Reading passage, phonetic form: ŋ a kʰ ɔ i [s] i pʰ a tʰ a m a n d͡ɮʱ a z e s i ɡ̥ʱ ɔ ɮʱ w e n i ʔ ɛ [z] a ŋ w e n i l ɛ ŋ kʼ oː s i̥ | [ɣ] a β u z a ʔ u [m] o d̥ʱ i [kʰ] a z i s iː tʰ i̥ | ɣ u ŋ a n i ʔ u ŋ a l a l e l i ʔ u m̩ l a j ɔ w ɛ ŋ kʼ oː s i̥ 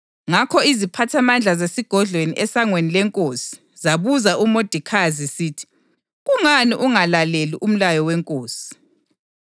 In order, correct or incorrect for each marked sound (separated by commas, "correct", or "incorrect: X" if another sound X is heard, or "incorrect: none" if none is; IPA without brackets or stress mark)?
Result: incorrect: z, incorrect: s, incorrect: z, correct, correct